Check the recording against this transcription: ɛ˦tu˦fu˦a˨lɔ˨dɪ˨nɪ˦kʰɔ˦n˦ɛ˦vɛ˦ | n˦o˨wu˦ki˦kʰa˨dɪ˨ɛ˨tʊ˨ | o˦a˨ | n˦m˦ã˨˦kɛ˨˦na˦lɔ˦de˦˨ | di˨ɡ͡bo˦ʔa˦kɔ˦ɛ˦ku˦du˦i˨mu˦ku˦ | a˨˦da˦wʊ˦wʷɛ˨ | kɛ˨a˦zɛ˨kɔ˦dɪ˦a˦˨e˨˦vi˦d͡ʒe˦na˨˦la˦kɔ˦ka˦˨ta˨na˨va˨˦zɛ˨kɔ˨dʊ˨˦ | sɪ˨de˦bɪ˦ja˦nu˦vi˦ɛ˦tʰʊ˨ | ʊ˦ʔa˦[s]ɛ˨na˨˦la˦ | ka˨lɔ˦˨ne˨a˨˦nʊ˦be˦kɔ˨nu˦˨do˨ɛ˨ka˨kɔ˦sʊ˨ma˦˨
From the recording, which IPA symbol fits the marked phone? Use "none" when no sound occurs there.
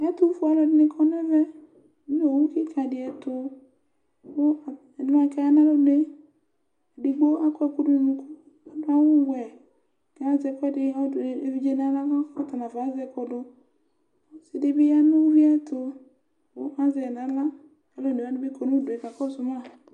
z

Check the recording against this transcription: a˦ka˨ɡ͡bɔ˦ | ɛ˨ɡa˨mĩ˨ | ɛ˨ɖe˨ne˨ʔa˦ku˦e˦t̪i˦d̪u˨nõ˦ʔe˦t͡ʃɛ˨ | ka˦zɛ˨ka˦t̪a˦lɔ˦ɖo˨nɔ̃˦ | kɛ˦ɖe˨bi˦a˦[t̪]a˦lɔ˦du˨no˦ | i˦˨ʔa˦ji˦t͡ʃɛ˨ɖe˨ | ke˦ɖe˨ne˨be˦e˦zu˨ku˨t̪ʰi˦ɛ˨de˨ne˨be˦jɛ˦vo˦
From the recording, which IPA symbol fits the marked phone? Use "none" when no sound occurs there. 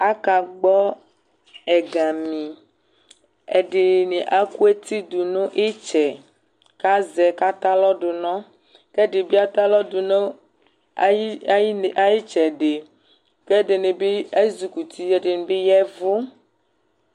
t̪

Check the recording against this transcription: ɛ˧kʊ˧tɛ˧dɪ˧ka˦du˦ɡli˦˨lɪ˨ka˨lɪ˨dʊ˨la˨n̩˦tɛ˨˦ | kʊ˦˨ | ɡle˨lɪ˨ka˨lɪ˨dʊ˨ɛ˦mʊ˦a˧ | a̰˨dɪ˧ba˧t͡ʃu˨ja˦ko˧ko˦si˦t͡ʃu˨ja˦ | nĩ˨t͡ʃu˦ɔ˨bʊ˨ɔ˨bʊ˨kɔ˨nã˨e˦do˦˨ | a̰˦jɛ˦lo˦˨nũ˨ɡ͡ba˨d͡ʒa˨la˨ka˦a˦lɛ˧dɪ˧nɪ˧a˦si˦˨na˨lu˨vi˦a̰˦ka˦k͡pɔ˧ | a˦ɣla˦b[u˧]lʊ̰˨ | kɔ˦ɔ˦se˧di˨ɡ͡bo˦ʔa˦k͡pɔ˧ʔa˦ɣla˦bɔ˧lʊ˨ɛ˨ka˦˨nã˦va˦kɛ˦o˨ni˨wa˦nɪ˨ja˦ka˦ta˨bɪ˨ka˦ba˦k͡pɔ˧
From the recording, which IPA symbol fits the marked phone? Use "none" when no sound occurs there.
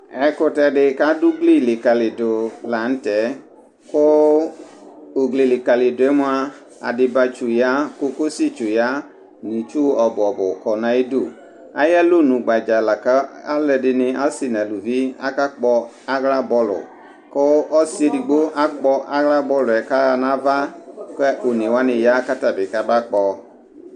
ɔ˧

